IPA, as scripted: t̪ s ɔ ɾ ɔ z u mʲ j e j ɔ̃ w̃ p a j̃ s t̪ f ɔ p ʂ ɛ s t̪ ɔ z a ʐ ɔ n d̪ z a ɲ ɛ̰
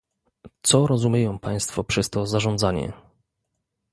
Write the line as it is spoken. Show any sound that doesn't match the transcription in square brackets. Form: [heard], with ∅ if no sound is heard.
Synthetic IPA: t̪ s ɔ ɾ ɔ z u mʲ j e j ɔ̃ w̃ p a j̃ s t̪ f ɔ p ʂ ɛ s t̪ ɔ z a ʐ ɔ n d̪ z a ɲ ɛ̰